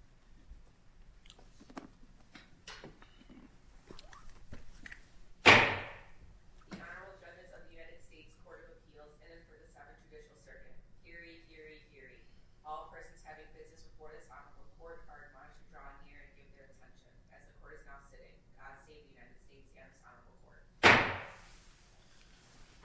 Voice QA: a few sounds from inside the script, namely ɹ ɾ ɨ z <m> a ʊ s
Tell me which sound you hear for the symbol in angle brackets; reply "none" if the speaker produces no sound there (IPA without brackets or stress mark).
n